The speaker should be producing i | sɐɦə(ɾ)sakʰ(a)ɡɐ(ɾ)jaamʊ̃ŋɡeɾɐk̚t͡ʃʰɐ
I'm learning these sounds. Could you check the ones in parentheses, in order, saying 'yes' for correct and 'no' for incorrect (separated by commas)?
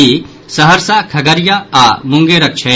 yes, no, yes